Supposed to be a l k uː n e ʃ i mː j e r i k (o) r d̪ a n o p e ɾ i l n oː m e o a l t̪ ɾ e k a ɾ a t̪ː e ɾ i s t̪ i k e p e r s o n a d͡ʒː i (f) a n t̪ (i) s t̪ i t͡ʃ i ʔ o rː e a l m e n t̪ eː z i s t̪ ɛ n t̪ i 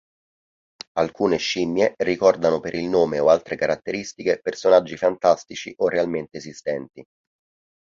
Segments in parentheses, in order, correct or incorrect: incorrect: ɔ, correct, incorrect: a

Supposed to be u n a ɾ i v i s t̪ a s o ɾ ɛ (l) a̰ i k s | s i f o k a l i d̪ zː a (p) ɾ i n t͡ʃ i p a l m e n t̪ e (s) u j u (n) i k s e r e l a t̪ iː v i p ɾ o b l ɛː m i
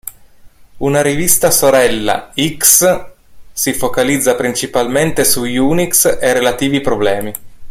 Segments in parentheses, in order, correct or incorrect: incorrect: lː, correct, correct, correct

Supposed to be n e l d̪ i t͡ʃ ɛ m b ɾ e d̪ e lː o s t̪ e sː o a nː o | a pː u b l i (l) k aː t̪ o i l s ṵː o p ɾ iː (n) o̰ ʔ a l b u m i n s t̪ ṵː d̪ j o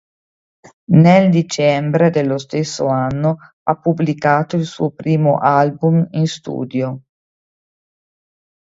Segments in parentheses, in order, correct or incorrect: incorrect: none, incorrect: m

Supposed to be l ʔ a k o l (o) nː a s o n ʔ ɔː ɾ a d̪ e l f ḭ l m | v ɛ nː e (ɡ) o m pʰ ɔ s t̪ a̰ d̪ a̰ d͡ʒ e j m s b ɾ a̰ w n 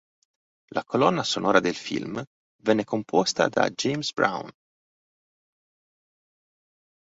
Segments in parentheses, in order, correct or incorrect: incorrect: ɔ, incorrect: k

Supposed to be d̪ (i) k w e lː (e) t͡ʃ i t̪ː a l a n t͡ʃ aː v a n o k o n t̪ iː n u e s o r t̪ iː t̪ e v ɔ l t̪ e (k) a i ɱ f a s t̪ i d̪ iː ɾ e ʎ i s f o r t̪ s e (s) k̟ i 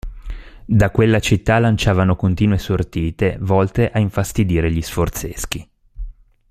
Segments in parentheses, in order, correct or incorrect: incorrect: a, incorrect: a, incorrect: ʔ, correct

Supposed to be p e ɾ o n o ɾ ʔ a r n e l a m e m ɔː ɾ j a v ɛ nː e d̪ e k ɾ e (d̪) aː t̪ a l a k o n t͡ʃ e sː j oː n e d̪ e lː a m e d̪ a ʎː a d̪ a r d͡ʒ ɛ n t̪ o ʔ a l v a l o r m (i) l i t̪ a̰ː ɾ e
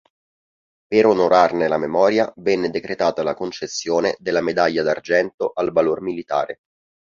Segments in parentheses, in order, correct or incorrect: incorrect: t̪, correct

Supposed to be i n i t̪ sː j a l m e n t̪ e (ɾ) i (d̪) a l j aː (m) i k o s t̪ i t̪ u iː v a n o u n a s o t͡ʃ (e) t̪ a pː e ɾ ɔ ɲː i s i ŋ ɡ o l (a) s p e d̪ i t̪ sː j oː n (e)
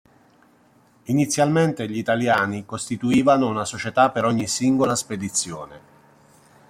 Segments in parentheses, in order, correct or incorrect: incorrect: ʎ, incorrect: t̪, incorrect: n, correct, correct, correct

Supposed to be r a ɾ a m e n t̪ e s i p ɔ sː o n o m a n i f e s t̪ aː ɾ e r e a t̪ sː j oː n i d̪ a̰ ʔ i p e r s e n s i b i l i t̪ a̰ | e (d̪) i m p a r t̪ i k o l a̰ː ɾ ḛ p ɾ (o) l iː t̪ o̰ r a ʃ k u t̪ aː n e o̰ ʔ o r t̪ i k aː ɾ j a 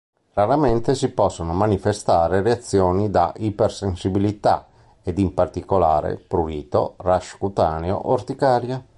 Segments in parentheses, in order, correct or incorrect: correct, incorrect: u

